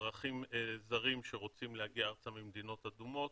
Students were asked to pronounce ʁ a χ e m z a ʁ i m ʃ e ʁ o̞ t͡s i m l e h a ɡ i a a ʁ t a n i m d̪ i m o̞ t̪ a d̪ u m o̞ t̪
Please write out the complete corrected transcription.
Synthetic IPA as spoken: ʁ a χ i m z a ʁ i m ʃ e ʁ o̞ t͡s i m l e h a ɡ i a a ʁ t͡s a m i m d̪ i n o̞ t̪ a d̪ u m o̞ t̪